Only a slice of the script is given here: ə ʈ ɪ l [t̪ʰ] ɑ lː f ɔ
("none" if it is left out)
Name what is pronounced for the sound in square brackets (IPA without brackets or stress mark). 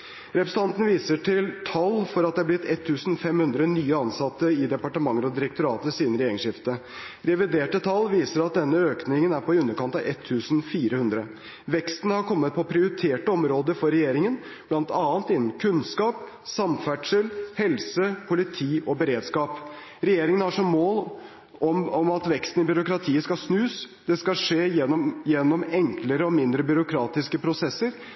t̪ʰ